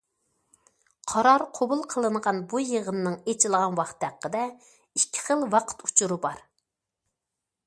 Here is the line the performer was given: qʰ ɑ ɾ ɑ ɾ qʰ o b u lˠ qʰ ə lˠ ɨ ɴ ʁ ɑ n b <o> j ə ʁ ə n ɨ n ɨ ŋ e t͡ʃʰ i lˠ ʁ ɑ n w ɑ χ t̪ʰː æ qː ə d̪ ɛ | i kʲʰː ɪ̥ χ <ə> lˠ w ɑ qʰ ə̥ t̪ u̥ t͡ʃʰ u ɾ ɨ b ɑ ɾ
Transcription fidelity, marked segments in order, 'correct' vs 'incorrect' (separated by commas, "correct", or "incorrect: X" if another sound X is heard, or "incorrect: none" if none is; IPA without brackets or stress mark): incorrect: u, correct